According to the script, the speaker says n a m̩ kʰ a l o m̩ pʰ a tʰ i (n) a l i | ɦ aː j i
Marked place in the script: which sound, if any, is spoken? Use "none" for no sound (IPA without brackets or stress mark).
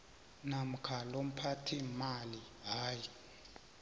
m